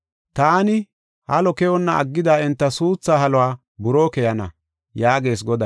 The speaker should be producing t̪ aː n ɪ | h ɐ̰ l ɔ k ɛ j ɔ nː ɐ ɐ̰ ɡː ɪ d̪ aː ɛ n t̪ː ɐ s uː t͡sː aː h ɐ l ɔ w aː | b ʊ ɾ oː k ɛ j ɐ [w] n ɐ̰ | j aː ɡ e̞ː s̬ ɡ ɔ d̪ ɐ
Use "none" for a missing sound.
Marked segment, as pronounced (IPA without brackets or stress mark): none